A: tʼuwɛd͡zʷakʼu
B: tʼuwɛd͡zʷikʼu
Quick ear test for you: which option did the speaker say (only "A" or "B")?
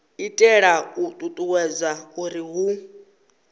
A